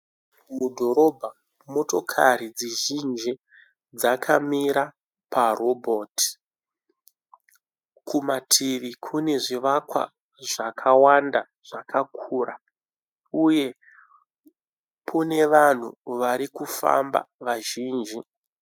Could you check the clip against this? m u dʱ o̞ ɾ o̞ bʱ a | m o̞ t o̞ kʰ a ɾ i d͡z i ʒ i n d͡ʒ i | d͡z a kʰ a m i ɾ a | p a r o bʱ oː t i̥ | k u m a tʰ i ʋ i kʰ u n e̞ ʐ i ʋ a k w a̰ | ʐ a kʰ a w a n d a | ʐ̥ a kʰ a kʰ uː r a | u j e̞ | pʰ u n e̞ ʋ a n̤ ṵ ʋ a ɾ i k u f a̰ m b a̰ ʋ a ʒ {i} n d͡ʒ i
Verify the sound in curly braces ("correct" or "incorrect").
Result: incorrect